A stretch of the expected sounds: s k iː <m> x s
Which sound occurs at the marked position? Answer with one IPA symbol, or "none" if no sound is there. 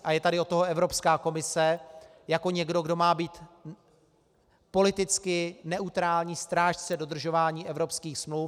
none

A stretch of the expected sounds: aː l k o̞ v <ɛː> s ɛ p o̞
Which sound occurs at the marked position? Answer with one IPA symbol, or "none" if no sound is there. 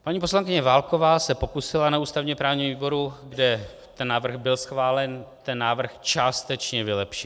aː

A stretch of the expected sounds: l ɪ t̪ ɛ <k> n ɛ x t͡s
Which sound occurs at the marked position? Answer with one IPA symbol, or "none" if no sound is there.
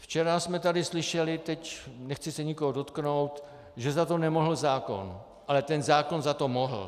c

